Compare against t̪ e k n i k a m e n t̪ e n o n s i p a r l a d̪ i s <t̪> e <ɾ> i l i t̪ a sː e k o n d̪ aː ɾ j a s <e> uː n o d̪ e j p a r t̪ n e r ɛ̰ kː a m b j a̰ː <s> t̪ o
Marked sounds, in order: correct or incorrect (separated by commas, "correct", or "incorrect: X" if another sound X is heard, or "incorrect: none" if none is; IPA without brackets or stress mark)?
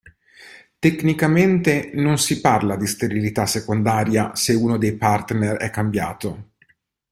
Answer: correct, correct, correct, incorrect: none